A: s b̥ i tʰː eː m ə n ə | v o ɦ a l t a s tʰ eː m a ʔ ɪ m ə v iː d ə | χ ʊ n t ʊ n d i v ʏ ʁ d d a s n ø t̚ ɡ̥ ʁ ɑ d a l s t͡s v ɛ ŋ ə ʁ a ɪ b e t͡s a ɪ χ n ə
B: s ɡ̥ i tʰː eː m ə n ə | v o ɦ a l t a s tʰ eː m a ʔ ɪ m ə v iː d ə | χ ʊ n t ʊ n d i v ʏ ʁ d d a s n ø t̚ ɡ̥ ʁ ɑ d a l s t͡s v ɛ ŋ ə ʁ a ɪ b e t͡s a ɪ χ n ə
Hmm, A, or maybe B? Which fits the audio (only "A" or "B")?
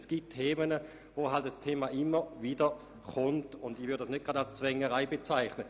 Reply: B